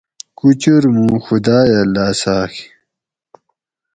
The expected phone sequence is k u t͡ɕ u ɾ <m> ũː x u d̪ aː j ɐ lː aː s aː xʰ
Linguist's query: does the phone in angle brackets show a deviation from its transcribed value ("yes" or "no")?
no